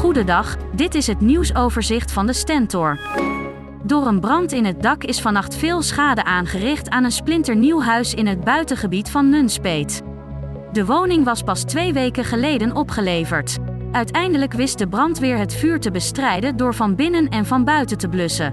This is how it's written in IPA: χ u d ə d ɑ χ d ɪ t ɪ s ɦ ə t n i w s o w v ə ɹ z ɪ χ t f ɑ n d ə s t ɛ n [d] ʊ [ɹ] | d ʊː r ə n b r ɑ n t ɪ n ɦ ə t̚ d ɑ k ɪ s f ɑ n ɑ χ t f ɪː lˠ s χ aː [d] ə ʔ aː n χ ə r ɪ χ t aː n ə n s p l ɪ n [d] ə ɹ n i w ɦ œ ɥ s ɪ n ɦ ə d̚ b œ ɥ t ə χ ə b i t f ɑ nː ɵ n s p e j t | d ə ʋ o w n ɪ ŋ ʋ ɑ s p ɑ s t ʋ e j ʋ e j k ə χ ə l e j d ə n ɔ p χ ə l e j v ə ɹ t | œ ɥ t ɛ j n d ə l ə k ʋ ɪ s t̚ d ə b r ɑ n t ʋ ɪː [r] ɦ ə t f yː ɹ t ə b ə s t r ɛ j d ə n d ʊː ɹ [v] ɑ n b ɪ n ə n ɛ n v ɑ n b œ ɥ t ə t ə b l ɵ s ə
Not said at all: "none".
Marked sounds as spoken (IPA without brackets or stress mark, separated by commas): t, ɹ, d, t, ɹ, v